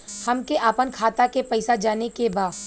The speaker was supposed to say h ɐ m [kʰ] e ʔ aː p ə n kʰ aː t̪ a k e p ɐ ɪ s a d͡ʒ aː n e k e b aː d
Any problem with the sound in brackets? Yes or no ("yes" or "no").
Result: yes